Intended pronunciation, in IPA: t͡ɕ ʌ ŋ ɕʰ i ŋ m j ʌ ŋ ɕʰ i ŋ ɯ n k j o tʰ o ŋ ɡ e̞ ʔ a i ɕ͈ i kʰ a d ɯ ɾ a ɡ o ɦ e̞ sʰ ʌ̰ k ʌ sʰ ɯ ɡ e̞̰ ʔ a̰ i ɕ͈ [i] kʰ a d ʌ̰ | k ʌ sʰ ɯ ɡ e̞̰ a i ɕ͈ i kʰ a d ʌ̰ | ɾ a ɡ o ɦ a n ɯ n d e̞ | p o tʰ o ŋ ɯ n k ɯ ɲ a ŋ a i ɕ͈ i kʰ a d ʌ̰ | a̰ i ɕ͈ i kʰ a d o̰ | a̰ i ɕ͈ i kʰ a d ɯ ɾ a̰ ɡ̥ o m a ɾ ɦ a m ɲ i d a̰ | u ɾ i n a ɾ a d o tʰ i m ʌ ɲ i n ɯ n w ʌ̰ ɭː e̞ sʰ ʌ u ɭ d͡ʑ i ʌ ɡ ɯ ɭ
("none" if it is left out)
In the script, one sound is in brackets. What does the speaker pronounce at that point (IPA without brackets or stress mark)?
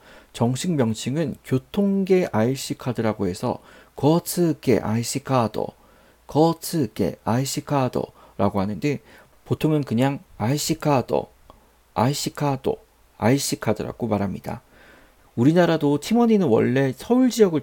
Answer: i